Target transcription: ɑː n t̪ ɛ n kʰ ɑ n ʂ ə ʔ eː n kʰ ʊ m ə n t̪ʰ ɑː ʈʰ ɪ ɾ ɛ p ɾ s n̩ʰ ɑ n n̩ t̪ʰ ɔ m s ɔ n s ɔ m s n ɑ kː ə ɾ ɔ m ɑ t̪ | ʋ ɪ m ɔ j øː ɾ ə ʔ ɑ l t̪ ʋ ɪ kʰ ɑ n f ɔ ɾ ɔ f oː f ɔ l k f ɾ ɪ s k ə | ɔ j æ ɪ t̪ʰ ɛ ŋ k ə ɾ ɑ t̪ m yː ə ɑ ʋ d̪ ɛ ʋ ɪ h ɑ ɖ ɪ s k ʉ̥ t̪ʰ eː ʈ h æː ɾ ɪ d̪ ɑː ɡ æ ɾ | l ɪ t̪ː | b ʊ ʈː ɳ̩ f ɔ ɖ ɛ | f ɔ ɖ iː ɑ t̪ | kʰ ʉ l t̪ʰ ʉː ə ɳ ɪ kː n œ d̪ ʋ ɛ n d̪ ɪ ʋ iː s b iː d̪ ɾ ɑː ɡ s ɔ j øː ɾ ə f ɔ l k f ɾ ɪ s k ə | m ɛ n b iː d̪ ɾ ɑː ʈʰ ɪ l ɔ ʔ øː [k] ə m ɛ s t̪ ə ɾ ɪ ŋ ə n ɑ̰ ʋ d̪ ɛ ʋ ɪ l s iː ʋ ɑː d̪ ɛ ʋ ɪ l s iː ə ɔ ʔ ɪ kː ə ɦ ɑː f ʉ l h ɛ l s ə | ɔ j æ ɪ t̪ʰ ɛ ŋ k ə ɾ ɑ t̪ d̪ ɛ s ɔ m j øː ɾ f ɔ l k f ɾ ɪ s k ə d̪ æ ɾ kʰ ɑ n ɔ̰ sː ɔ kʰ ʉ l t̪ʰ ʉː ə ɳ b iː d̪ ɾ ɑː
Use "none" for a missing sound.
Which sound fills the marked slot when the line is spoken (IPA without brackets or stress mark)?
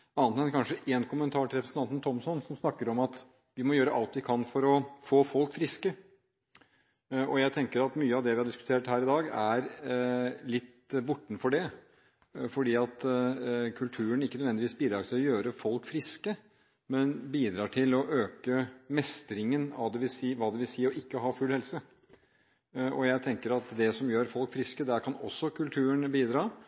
k